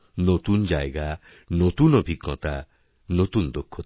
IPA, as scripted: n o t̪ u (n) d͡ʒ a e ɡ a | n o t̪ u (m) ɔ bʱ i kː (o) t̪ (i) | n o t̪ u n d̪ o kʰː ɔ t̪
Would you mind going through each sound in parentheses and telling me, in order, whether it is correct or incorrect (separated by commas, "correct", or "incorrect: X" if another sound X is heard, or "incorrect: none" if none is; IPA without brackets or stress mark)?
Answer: correct, incorrect: n, incorrect: ɔ, incorrect: a